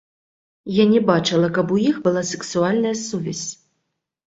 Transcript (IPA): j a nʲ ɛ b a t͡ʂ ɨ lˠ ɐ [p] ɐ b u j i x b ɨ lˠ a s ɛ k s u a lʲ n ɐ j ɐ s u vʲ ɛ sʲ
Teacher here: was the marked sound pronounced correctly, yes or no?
no